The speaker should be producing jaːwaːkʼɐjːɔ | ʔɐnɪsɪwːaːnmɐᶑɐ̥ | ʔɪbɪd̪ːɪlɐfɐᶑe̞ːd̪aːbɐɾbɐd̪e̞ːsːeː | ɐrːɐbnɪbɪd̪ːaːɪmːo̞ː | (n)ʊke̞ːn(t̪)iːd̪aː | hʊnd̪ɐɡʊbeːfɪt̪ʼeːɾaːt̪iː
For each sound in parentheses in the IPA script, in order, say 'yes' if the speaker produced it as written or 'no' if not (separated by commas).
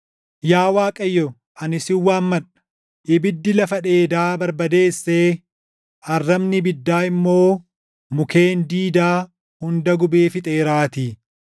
no, no